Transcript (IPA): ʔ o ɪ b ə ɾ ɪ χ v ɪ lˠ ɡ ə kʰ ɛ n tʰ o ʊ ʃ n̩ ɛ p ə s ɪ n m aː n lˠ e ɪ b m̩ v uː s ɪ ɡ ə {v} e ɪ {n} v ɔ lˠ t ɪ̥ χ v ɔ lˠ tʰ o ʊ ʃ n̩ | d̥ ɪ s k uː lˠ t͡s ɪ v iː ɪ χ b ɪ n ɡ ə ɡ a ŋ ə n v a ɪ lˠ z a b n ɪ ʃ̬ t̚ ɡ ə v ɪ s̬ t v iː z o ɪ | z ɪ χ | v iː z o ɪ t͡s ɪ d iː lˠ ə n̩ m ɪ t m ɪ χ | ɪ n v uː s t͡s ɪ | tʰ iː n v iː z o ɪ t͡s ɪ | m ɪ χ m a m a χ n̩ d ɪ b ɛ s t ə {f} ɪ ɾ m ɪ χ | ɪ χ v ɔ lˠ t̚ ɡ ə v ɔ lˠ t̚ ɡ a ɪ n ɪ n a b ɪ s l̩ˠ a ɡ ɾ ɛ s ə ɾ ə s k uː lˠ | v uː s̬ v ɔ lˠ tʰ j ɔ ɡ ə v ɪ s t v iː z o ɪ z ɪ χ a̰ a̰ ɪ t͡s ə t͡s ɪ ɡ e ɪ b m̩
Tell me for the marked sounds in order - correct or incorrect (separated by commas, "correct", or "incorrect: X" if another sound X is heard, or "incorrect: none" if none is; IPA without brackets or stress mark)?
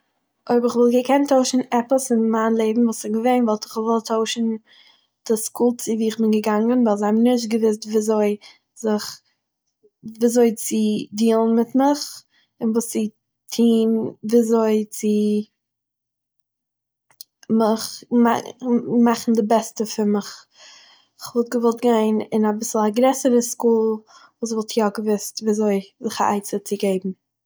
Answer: correct, correct, correct